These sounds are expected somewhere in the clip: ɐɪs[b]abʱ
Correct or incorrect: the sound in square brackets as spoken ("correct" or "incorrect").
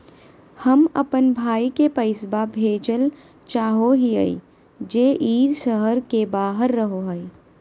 correct